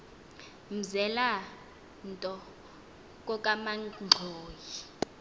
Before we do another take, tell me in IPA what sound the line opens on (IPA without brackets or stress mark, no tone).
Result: m̩